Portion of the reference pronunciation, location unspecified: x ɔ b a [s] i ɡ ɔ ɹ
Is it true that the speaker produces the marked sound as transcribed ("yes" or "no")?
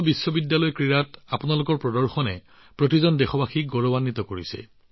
no